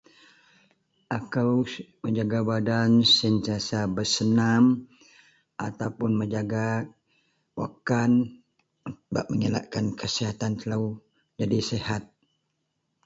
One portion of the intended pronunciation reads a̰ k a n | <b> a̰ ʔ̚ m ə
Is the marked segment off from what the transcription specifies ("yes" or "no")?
no